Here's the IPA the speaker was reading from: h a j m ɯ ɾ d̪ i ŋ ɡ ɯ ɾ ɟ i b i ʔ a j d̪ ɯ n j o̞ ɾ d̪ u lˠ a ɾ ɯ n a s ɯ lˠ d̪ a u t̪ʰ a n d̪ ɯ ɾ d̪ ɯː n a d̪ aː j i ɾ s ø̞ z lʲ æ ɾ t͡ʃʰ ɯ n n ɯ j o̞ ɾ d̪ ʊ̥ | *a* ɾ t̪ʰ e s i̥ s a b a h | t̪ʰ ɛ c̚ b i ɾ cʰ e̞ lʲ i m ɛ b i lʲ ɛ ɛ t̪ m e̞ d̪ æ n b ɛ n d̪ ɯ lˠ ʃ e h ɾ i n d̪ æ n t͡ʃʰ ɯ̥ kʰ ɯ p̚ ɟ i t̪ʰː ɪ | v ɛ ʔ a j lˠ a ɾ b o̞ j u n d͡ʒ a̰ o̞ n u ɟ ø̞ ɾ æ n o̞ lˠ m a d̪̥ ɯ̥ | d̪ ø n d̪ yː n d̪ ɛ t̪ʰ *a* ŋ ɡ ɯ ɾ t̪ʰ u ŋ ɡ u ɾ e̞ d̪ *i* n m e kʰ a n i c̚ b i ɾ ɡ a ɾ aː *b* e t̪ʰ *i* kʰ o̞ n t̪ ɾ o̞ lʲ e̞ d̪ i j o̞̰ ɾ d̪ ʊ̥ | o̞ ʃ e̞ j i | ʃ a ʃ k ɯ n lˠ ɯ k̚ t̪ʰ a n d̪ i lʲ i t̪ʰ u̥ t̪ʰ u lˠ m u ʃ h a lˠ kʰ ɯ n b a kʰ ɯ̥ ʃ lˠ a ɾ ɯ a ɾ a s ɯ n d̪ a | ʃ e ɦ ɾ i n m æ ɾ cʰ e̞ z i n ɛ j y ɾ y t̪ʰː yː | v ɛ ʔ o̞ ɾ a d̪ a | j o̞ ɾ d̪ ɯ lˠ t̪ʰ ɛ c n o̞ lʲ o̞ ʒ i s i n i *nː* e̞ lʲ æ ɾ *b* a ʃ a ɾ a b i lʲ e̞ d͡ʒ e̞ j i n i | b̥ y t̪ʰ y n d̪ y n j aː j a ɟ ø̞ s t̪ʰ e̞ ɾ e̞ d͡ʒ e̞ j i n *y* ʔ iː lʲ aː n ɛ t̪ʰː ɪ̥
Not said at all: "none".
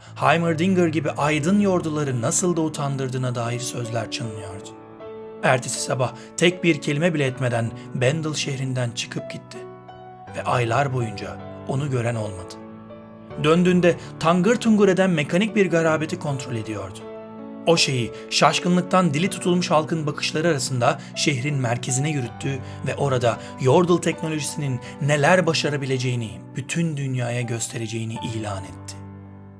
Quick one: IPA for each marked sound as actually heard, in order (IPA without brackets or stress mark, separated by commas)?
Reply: æ, a, æ, b, i, nː, b, i